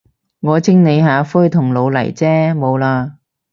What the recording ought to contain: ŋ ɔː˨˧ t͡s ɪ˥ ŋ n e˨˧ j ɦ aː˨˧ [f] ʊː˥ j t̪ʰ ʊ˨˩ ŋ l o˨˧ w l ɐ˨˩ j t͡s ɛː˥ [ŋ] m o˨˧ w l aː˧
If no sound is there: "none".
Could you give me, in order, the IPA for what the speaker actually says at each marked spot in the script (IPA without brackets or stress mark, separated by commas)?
f, none